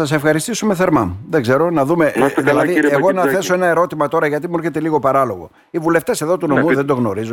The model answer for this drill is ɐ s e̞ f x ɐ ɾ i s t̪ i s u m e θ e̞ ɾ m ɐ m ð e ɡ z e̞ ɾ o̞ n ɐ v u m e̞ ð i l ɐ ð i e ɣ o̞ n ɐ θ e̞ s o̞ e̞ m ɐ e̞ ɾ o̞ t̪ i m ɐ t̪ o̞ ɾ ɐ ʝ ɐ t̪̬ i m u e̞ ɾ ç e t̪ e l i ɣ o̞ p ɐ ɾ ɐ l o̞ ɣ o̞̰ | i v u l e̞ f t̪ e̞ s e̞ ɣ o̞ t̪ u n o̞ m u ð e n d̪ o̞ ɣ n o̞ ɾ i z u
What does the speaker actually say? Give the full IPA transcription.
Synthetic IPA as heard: ɐ s e̞ f x ɐ ɾ i s t̪ i s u m e θ e̞ ɾ m ɐ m ð e ɡ z e̞ ɾ o̞ n ɐ ð u m e̞ ð i l ɐ ð i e ɣ o̞ n ɐ θ e̞ s o̞ e̞ n ɐ e̞ ɾ o̞ t̪ i m ɐ t̪ o̞ ɾ ɐ ʝ ɐ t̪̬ i m u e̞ ɾ ç e t̪ e l i ɣ o̞ p ɐ ɾ ɐ l o̞ ɣ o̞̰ | i v u l e̞ f t̪ e̞ s e̞ ð o̞ t̪ u n o̞ m u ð e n d̪ o̞ ɣ n o̞ ɾ i z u